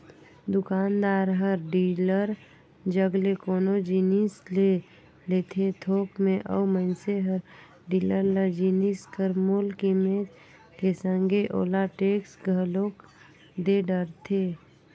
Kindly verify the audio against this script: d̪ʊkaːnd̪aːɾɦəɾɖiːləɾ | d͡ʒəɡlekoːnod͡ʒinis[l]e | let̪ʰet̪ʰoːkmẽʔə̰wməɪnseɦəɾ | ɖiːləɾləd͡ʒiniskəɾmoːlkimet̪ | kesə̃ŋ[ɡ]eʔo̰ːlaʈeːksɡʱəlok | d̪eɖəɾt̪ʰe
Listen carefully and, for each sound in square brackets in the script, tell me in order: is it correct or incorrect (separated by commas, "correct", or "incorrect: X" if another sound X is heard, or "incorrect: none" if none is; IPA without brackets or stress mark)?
correct, correct